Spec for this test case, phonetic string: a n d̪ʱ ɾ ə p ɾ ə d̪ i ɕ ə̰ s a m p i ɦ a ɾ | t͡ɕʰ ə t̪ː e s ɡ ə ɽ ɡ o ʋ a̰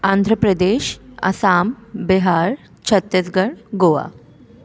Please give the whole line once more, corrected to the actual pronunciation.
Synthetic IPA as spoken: a n d̪ʱ ɾ ə p ɾ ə d̪ e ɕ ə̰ s a m b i ɦ a ɾ | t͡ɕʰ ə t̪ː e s ɡ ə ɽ ɡ o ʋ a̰